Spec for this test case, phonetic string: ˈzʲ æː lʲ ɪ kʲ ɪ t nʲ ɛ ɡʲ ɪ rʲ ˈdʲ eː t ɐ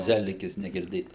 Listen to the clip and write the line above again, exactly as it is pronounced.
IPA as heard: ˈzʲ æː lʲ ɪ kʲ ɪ s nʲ ɛ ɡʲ ɪ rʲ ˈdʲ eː t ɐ

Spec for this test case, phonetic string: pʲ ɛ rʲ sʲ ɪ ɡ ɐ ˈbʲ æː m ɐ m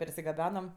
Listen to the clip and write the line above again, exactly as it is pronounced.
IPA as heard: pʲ ɛ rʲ sʲ ɪ ɡ ɐ ˈbʲ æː n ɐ m

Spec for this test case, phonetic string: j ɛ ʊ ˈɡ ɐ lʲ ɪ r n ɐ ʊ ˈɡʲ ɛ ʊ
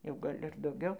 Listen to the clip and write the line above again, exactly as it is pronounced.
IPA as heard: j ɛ ʊ ˈɡ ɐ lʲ ɪ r d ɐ ʊ ˈɡʲ ɛ ʊ

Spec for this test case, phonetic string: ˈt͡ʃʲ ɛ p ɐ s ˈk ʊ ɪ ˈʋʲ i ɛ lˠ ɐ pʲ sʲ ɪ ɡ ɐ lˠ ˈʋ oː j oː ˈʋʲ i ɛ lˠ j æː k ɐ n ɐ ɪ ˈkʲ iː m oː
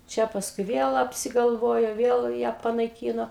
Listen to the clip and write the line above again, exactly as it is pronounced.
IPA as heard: ˈt͡ʃʲ ɛ p ɐ s ˈk ʊ ɪ ˈʋʲ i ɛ lˠ ɐ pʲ sʲ ɪ ɡ ɐ lˠ ˈʋ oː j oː ˈʋʲ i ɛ lˠ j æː p ɐ n ɐ ɪ ˈkʲ iː n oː

